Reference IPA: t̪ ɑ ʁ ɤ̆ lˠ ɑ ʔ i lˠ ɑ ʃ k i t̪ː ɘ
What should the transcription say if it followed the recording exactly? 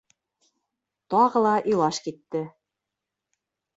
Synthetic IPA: t̪ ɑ ʁ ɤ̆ lˠ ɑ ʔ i lˠ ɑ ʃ k i t̪ː ɘ